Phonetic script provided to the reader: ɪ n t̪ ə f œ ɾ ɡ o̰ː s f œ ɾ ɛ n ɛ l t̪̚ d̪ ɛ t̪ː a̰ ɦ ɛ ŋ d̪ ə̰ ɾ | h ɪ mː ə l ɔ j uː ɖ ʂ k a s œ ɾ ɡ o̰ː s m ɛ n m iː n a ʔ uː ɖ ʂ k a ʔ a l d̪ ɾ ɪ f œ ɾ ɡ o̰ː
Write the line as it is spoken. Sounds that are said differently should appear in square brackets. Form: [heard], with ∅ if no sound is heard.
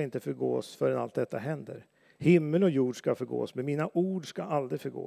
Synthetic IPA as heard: ɪ n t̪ ə f œ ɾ ɡ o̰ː s f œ ɾ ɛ n [a] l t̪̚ d̪ ɛ t̪ː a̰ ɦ ɛ [n] d̪ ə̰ ɾ | h ɪ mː ə l ɔ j uː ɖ ʂ k a [f] œ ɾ ɡ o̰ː s m ɛ n m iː n a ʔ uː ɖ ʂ k a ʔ a l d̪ ɾ ɪ f œ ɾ ɡ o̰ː